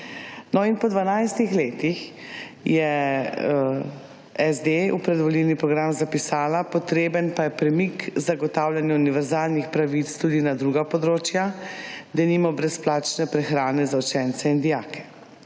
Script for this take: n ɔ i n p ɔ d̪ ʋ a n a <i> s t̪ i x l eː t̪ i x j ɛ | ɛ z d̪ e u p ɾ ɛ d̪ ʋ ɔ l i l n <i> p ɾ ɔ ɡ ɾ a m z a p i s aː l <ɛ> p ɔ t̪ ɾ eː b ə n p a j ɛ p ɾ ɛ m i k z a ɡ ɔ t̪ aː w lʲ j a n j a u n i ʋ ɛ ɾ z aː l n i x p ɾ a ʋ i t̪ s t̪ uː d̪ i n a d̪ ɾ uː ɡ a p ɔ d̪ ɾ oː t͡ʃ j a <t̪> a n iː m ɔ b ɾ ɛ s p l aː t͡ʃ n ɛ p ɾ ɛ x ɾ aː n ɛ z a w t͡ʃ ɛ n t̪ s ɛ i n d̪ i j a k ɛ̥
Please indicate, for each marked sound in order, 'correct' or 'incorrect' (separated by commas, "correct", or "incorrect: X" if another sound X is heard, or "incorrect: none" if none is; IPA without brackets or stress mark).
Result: incorrect: j, correct, incorrect: a, incorrect: d̪